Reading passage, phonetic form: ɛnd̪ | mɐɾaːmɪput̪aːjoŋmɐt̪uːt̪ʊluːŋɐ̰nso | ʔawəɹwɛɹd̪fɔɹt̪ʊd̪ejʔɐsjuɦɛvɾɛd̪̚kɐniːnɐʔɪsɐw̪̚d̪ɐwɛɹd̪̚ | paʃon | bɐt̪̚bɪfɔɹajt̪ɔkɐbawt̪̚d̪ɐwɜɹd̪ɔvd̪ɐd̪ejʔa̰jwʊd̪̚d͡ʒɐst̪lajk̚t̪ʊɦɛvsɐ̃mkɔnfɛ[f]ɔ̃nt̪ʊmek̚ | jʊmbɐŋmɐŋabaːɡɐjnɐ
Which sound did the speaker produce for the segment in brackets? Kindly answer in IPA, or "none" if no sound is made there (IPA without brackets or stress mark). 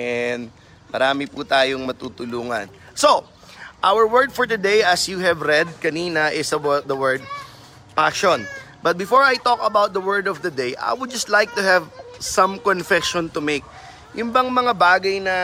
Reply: ʃ